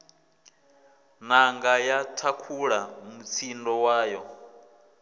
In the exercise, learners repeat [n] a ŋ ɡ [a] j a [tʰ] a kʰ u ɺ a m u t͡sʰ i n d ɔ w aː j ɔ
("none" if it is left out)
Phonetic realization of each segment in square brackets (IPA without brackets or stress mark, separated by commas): n, a, tʰ